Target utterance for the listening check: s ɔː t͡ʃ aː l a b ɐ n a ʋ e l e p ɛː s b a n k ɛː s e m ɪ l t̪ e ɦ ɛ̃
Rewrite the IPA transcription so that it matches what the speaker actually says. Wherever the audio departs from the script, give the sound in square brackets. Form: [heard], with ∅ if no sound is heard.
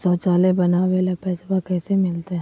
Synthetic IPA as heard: s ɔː t͡ʃ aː l [e] b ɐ n a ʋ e l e p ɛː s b a [∅] k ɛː s e m ɪ l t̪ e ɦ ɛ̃